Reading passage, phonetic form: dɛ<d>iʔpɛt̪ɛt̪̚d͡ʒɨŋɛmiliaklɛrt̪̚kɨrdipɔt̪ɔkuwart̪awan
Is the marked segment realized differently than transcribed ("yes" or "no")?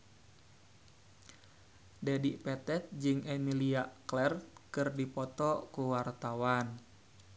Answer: no